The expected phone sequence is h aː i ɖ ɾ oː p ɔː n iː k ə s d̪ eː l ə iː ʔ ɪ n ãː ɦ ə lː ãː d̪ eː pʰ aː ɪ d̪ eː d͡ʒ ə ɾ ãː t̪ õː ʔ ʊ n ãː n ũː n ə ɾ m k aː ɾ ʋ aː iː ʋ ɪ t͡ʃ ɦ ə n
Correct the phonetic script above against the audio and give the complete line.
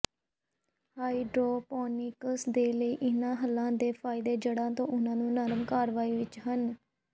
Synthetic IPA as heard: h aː i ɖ ɾ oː p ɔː n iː k ə s d̪ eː l ə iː ʔ ɪ n ãː ɦ ə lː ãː d̪ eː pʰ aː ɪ d̪ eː d͡ʒ ə ɽ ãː t̪ õː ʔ ʊ n ãː n ũː n ə ɾ m k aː ɾ ʋ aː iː ʋ ɪ t͡ʃ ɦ ə n